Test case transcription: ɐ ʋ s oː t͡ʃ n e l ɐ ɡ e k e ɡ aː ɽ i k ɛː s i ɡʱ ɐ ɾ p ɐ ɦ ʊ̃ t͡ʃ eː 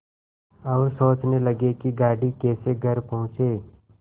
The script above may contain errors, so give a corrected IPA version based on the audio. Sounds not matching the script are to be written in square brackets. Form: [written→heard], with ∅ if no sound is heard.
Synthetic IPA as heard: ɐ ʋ s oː t͡ʃ n e l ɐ ɡ e k [e→i] ɡ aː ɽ i k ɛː s [i→e] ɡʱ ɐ ɾ p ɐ ɦ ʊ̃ t͡ʃ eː